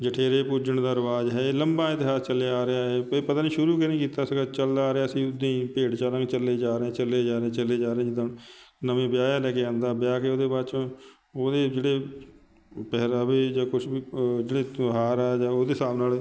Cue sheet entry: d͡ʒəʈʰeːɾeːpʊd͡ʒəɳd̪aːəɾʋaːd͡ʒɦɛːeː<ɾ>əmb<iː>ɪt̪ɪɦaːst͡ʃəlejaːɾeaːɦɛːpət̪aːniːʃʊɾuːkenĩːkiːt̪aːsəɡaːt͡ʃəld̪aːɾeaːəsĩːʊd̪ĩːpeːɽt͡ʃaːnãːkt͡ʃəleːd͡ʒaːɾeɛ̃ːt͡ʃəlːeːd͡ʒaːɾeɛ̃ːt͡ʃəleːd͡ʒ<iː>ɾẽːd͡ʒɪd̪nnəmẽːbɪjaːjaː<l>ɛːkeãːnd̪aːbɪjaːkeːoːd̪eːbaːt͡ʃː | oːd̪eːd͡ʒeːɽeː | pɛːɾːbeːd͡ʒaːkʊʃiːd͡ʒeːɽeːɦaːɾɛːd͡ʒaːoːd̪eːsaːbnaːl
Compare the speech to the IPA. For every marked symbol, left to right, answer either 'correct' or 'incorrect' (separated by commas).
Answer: incorrect, incorrect, incorrect, correct